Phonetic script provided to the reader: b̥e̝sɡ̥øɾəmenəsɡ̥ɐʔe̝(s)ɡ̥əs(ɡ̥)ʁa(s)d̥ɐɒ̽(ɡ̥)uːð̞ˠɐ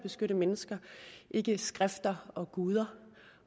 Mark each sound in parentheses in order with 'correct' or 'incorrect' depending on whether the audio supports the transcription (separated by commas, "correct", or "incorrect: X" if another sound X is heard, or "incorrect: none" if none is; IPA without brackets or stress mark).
incorrect: none, correct, incorrect: f, correct